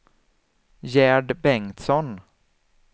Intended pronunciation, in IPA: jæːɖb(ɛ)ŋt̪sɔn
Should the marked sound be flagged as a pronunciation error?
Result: no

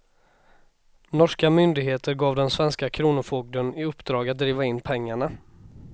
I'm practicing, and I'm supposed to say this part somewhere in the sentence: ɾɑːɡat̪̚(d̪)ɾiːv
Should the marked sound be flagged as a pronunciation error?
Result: no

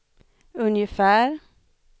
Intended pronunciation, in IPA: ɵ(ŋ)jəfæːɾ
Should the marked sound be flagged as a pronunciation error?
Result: yes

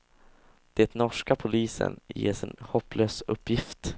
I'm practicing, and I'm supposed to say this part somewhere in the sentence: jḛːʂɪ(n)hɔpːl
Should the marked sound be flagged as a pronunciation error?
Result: no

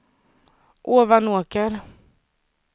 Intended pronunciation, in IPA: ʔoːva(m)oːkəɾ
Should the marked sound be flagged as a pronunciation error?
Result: yes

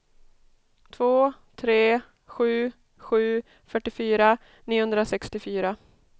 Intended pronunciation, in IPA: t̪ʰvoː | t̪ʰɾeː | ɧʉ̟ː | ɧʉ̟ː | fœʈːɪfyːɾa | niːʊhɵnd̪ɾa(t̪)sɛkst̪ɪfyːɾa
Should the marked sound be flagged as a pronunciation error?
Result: yes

